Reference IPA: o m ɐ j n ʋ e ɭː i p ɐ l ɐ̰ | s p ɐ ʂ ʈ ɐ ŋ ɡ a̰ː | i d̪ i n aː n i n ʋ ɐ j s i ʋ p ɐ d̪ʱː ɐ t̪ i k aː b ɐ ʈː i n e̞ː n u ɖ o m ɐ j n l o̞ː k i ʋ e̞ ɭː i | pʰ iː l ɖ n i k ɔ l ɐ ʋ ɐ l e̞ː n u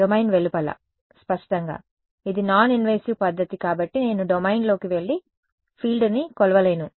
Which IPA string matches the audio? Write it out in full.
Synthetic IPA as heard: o m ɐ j n ʋ e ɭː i p ɐ l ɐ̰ | s p ɐ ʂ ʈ ɐ ŋ ɡ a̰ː | i d̪ i n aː n i n ʋ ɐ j s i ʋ p ɐ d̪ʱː ɐ t̪ i k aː b ɐ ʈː i n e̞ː n u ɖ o m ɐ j n l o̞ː k i ʋ e̞ ɭː i | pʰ iː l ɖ n i k ɔ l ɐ ʋ ɐ l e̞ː n u